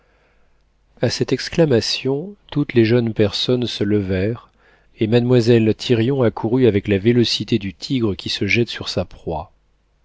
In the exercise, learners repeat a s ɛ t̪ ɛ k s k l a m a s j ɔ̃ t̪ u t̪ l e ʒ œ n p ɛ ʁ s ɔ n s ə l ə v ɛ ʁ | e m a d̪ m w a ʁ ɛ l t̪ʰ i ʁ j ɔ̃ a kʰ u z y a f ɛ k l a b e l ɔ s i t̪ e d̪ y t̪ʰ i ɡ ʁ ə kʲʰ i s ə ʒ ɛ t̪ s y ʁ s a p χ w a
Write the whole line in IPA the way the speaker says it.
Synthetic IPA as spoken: a s ɛ t̪ ɛ k s k l a m a s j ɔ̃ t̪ u t̪ l e ʒ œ n p ɛ ʁ s ɔ n s ə l ə v ɛ ʁ | e m a d̪ m w a z ɛ l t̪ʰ i ʁ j ɔ̃ a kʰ u ʁ y a v ɛ k l a v e l ɔ s i t̪ e d̪ y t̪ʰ i ɡ ʁ ə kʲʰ i s ə ʒ ɛ t̪ s y ʁ s a p χ w a